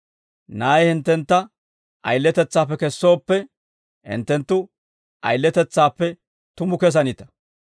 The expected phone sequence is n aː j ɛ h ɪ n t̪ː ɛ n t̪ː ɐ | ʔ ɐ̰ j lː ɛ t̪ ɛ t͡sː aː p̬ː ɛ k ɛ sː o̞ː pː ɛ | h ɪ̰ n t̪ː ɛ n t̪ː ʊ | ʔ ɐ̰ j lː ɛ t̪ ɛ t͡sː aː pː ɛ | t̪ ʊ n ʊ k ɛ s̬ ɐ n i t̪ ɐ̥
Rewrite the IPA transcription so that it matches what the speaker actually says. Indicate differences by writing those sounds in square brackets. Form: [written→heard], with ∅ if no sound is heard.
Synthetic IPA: n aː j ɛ h ɪ n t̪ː ɛ n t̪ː ɐ | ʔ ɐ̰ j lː ɛ t̪ ɛ t͡sː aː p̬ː ɛ k ɛ sː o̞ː pː ɛ | h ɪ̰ n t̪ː ɛ n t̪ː ʊ | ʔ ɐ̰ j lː ɛ t̪ ɛ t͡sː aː pː ɛ | t̪ ʊ [n→m] ʊ k ɛ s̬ ɐ n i t̪ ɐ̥